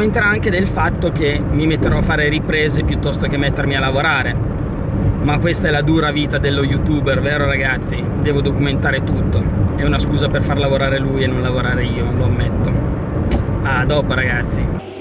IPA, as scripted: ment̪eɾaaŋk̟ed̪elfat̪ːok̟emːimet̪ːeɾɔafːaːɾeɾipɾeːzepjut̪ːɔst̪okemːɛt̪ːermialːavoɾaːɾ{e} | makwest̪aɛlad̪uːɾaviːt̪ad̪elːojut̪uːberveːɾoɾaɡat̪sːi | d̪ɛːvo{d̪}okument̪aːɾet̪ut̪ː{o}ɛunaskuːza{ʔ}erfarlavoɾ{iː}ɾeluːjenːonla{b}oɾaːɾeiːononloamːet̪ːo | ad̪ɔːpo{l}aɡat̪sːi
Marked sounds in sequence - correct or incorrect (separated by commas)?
correct, correct, correct, incorrect, incorrect, incorrect, incorrect